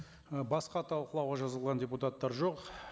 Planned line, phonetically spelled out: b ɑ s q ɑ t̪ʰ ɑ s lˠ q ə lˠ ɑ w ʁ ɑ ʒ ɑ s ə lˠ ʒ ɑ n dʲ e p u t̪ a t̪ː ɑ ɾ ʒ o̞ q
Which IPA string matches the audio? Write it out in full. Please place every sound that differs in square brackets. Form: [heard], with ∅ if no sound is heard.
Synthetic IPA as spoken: b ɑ s q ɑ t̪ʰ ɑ [∅] lˠ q ə lˠ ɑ w ʁ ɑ ʒ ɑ [z] ə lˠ [ʁ] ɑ n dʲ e p u t̪ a t̪ː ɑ ɾ ʒ o̞ q